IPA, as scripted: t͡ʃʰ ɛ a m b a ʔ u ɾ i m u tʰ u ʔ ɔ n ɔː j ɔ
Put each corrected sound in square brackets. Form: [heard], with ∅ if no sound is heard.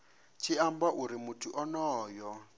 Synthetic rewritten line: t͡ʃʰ [i] a m b a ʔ u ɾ i m u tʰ u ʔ ɔ n ɔː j ɔ